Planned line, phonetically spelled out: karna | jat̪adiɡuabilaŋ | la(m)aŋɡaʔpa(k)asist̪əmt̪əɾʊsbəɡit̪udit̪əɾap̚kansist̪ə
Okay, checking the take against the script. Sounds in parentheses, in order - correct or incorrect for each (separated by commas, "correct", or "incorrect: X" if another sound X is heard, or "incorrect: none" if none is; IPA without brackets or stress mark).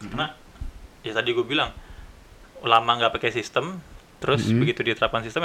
correct, correct